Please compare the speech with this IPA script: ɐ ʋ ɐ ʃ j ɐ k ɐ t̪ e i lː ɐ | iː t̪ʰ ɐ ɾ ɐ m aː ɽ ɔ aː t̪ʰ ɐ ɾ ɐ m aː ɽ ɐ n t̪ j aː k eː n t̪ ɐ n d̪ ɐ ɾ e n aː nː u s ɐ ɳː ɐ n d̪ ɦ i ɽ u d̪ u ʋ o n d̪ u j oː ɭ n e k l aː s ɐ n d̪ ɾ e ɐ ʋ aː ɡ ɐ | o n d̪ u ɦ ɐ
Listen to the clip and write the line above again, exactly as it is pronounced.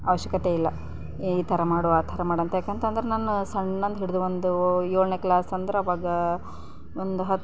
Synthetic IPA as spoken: ɐ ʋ ɐ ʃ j ɐ k ɐ t̪ e i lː ɐ | iː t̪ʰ ɐ ɾ ɐ m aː ɽ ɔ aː t̪ʰ ɐ ɾ ɐ m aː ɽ ɐ n t̪ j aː k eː n t̪ ɐ n d̪ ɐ ɾ e n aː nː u s ɐ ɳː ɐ n d̪ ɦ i ɽ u d̪ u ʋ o n d̪ u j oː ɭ n e k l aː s ɐ n d̪ ɾ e ɐ ʋ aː ɡ ɐ | o n d̪ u ɦ ɐ